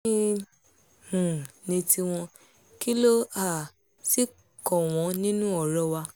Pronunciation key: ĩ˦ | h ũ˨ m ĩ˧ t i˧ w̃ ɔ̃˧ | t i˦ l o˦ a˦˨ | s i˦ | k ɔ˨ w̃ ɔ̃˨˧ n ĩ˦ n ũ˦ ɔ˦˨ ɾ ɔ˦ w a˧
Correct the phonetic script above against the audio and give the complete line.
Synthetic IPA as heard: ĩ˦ | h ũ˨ n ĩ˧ t i˧ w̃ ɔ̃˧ | k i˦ l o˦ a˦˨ | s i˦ | k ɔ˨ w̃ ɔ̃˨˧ n ĩ˦ n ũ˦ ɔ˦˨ ɾ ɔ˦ w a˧